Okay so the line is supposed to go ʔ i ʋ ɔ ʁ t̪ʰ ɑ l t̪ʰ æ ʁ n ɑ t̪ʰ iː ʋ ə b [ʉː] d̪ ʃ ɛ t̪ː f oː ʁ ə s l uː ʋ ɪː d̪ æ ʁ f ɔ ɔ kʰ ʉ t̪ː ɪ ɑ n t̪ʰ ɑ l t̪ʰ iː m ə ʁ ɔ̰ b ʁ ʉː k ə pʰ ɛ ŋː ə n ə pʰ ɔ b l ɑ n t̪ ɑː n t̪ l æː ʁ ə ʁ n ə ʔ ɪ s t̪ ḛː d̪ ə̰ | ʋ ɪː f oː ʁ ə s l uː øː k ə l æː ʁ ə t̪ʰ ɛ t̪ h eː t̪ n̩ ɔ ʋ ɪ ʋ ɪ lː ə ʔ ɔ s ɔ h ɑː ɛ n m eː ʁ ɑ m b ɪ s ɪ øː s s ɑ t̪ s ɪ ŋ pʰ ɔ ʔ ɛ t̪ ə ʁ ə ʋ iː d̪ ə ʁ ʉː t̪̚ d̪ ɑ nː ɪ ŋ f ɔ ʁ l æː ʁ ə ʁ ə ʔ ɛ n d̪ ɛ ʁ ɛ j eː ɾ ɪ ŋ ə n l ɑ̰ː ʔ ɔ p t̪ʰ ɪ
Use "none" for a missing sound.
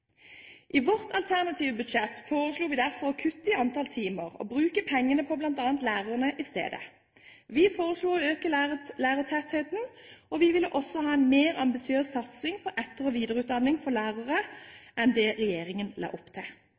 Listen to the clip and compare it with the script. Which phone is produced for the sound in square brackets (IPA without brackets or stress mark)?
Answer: ʉ